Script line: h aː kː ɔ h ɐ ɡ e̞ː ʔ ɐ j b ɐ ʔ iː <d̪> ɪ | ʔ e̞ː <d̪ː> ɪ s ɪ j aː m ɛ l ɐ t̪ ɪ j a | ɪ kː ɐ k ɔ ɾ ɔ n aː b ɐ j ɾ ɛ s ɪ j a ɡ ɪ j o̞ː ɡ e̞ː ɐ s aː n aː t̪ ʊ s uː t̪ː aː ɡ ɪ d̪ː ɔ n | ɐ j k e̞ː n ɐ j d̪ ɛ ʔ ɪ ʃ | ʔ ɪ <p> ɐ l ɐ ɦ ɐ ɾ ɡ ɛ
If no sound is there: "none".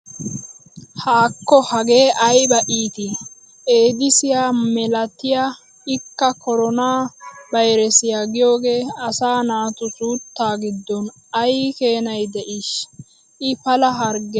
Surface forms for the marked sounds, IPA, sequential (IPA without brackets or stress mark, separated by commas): t̪, d̪, p